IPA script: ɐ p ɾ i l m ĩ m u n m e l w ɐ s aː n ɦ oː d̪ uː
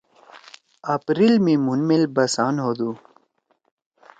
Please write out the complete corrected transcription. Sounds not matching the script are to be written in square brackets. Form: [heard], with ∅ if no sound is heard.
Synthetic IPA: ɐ p ɾ i l m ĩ m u n m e l [b] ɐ s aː n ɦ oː d̪ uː